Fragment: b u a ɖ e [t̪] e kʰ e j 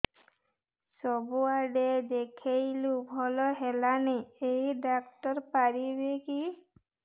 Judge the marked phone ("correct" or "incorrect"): incorrect